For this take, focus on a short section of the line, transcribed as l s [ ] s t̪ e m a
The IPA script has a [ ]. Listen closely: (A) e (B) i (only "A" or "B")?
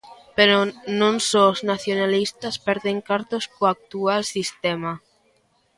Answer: B